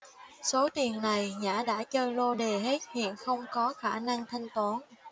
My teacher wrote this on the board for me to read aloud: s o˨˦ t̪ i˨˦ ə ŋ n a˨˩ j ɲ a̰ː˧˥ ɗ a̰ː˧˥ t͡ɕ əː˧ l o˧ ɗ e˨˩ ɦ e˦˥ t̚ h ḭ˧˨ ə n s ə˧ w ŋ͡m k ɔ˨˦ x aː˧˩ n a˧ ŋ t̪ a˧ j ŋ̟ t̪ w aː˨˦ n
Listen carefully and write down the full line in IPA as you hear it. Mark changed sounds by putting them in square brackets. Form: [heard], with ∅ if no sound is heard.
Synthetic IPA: s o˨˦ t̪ [i˨˩] ə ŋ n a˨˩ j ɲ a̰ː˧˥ ɗ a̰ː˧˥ t͡ɕ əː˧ l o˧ ɗ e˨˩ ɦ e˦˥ t̚ h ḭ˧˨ ə n [x] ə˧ w ŋ͡m k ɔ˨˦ x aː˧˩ n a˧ ŋ [t̪ʰ] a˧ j ŋ̟ t̪ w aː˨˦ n